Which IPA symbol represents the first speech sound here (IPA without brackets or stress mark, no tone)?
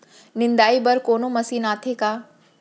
n